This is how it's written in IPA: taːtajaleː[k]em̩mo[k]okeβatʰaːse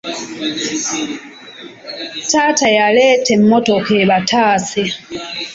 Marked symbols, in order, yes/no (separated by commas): no, no